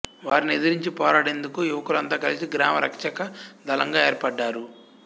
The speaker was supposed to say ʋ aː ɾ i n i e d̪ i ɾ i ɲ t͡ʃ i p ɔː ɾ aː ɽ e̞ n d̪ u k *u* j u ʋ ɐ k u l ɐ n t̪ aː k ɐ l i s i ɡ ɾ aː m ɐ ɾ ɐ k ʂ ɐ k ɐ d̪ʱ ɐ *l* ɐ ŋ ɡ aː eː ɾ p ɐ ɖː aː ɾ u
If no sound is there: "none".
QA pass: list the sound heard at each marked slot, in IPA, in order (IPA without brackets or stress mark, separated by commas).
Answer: u, l